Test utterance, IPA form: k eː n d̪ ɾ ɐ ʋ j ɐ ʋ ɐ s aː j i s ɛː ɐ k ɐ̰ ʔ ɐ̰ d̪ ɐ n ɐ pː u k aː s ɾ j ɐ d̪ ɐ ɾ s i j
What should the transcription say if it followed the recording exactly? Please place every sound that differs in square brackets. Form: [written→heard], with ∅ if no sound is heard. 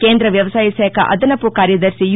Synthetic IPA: k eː n d̪ ɾ ɐ ʋ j ɐ ʋ ɐ s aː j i s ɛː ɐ k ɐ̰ ʔ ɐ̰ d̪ ɐ n ɐ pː u k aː [s→∅] ɾ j ɐ d̪ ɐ ɾ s i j